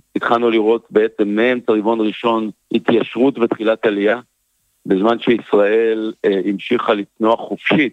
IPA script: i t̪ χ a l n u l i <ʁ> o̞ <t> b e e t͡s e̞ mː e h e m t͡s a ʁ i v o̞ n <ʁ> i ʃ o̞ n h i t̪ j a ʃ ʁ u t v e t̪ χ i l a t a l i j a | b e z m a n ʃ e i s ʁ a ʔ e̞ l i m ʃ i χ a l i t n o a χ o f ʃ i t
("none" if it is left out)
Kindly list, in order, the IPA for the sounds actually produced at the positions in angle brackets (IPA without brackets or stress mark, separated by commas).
ʁ, t, ʁ